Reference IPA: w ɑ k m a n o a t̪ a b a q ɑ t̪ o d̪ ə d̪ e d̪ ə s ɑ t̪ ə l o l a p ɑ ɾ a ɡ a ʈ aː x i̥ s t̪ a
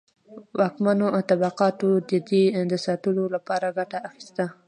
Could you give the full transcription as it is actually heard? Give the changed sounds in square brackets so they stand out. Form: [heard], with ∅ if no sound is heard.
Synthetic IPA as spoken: w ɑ k m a n o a t̪ a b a q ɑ t̪ o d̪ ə d̪ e d̪ ə s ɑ t̪ ə l o l a p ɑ ɾ a ɡ a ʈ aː x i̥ s t̪ a